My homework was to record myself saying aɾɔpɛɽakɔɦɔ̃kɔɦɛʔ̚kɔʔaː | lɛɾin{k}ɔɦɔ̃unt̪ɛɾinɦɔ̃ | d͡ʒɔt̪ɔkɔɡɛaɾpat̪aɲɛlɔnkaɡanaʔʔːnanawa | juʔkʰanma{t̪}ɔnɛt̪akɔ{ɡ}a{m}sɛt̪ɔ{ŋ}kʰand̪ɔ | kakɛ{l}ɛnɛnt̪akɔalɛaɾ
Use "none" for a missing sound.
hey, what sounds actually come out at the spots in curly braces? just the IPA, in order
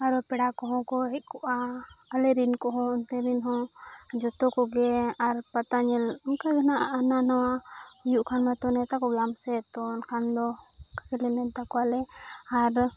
k, t̪, ɡ, m, n, l

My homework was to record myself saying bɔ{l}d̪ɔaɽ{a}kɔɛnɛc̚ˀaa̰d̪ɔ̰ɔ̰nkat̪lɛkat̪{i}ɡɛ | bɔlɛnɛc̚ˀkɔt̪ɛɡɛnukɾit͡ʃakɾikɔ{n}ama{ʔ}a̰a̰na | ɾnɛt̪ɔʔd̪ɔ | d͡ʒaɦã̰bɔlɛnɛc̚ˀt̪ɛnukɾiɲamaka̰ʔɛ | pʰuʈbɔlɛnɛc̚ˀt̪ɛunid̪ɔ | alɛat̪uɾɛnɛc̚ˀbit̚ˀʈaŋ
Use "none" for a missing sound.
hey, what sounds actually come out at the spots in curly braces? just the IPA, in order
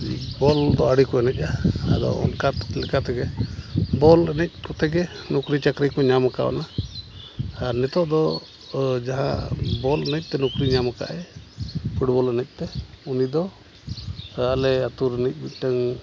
l, i, ɛ, ɲ, k

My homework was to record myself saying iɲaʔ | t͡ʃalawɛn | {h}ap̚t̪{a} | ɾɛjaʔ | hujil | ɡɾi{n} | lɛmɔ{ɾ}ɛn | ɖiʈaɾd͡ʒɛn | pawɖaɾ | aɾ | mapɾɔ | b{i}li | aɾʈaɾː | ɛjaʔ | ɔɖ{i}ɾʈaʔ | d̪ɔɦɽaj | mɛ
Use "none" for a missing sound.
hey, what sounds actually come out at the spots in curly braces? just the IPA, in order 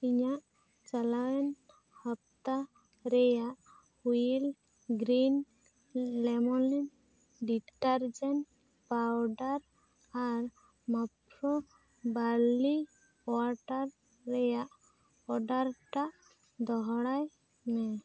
h, a, n, l, a, a

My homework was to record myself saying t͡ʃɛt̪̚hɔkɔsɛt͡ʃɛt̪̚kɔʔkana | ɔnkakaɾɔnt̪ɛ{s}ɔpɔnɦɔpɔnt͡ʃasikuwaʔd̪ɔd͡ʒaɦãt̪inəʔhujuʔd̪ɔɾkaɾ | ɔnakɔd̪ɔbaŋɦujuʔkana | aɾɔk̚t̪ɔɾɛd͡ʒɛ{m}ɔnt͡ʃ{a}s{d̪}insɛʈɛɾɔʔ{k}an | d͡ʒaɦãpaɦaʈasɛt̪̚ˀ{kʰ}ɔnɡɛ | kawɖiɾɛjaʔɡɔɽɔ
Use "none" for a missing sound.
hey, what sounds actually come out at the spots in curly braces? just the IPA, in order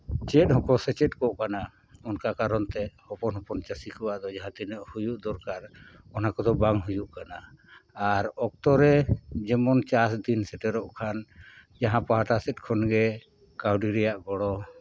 h, m, a, d̪, kʰ, kʰ

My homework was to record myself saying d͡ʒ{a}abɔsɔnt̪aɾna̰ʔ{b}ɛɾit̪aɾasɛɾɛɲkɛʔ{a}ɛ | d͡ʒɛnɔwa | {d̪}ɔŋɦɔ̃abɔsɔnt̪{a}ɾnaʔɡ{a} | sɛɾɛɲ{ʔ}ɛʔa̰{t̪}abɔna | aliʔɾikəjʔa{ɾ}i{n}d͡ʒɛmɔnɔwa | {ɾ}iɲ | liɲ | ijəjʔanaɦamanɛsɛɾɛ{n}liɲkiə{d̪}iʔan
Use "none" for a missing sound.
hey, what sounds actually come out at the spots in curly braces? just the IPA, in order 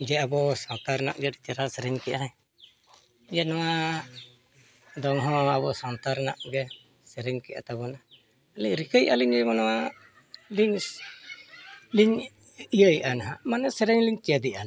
ɛ, ɡ, a, d̪, a, ɛ, k, t̪, l, ɲ, l, ɲ, d̪

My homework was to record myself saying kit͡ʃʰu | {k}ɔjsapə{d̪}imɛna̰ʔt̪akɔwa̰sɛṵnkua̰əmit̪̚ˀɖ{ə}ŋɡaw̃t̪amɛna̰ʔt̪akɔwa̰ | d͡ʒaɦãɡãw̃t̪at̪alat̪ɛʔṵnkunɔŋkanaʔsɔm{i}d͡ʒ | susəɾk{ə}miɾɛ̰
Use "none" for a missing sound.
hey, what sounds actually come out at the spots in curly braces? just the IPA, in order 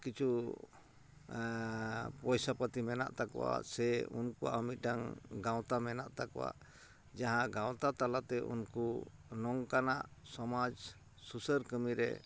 p, t̪, a, a, ə

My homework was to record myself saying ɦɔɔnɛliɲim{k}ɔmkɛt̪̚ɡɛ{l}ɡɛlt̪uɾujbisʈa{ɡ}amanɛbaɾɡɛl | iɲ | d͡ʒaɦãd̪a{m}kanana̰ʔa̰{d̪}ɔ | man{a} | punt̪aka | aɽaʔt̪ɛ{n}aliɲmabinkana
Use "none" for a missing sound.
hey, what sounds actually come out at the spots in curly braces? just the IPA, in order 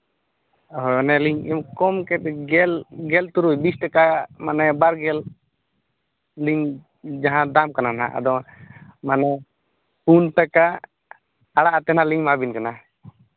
k, l, k, m, d̪, ɛ, n

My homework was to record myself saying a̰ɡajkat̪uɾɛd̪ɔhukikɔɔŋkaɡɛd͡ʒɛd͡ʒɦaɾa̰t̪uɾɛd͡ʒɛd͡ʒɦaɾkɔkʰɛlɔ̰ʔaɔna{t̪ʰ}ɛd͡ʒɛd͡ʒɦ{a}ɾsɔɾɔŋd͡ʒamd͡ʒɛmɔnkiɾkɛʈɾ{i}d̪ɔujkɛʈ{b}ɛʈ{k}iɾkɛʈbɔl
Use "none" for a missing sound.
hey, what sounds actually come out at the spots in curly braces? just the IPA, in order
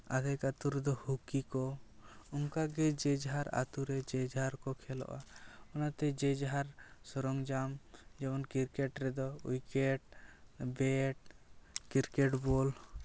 t̪, a, ɛ, b, k

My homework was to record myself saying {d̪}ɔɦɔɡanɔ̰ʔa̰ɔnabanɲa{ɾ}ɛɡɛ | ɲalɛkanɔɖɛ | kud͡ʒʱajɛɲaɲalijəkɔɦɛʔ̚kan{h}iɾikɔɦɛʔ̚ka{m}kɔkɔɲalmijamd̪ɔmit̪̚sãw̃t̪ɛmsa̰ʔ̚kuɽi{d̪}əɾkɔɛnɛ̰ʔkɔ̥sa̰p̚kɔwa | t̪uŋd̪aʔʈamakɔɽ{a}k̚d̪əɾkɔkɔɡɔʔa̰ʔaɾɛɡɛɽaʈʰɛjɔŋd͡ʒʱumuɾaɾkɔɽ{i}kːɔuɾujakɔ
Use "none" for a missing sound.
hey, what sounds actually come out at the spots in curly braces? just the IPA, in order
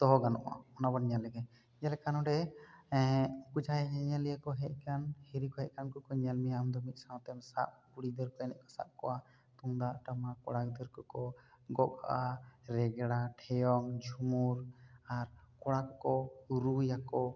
t̪, l, h, n, d̪, a, a

